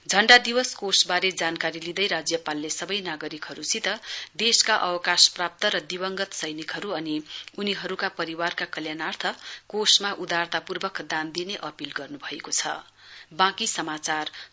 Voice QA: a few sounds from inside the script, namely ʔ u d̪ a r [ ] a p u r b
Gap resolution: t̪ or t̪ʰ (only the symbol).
t̪